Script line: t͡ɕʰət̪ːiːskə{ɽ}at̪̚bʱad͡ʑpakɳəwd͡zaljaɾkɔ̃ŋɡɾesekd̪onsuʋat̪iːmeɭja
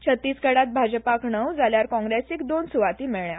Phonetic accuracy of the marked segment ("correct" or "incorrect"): correct